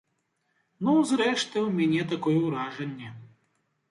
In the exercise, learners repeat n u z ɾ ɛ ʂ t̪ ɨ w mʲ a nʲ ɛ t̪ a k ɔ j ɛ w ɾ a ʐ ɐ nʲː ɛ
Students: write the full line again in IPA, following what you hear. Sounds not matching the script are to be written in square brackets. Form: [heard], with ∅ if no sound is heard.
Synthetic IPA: n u z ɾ ɛ ʂ t̪ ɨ w mʲ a nʲ ɛ t̪ a k ɔ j ɛ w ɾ a ʐ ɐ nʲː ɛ